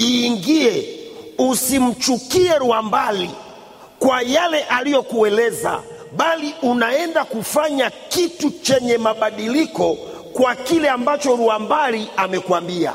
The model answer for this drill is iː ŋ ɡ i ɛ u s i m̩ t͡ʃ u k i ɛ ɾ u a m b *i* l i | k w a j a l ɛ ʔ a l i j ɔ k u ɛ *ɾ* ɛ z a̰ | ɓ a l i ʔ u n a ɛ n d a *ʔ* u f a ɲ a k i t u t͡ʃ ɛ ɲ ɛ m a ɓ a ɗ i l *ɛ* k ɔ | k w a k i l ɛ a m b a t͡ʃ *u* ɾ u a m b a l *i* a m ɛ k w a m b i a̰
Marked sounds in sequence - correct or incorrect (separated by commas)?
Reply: incorrect, incorrect, incorrect, incorrect, incorrect, correct